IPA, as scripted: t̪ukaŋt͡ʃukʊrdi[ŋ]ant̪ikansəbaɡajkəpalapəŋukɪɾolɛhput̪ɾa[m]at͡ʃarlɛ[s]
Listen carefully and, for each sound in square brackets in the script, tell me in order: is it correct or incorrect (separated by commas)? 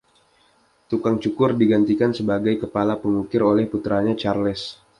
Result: incorrect, incorrect, correct